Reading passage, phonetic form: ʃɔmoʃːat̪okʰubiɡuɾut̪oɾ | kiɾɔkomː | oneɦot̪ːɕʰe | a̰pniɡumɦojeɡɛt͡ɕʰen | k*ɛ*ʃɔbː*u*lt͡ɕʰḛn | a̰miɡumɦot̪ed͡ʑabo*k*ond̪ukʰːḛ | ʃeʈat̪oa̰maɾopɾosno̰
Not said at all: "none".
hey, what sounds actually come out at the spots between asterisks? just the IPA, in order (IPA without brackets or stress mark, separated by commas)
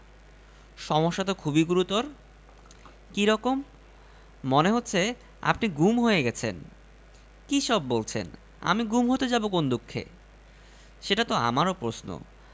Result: i, o, k